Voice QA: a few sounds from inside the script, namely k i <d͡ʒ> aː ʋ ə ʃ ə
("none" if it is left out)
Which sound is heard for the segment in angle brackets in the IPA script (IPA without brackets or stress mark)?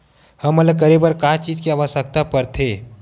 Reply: none